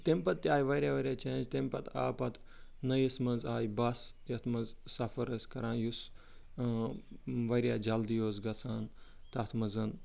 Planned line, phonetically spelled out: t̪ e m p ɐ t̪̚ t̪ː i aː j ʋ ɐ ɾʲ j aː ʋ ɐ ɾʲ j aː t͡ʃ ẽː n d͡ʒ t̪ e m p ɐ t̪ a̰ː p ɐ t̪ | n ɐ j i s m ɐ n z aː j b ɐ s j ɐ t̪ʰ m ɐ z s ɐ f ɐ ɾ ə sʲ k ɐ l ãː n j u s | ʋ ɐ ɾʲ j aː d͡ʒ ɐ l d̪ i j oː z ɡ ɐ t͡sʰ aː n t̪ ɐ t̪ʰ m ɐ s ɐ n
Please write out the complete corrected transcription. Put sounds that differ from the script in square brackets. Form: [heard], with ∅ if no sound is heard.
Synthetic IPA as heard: t̪ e m p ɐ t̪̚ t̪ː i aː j ʋ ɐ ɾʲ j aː ʋ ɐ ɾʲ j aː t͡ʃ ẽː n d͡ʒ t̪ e m p ɐ t̪ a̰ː p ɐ t̪ | n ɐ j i s m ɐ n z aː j b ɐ s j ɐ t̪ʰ m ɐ z s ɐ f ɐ ɾ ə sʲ k ɐ [ɾ] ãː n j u s | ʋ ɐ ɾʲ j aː d͡ʒ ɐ l d̪ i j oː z ɡ ɐ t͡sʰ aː n t̪ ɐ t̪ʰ m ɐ [z] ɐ n